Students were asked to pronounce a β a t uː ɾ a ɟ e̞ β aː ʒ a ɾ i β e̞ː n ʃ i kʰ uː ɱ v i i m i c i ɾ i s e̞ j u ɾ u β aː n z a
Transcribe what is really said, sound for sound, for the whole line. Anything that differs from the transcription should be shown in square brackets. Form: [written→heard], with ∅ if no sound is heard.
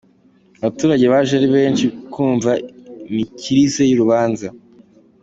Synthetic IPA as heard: a β a t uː ɾ a ɟ e̞ β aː ʒ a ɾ i β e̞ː n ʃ i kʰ uː ɱ v [i→a] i m i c i ɾ i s e̞ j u ɾ u β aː n z a